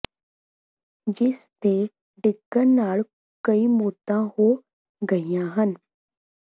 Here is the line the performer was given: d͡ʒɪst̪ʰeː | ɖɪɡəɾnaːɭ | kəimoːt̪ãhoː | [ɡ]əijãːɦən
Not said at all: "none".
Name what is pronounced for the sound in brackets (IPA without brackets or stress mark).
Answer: ɡ